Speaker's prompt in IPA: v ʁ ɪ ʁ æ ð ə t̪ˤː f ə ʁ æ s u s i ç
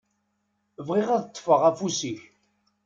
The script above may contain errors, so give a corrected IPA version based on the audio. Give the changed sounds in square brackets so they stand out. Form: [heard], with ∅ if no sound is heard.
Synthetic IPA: v ʁ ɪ ʁ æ ð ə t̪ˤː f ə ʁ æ [f] u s i ç